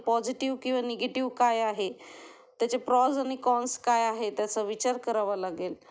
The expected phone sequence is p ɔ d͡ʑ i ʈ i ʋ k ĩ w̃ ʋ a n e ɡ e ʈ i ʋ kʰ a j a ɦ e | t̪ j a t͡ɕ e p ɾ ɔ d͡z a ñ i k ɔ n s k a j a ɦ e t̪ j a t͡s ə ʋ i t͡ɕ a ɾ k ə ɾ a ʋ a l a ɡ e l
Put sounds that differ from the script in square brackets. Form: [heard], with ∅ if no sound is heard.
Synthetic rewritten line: p ɔ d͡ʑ i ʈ i ʋ k ĩ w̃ ʋ a n e ɡ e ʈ i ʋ [k] a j a ɦ e | t̪ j a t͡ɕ e p ɾ ɔ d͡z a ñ i k ɔ n s k a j a ɦ e t̪ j a t͡s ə ʋ i t͡ɕ a ɾ k ə ɾ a ʋ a l a ɡ e l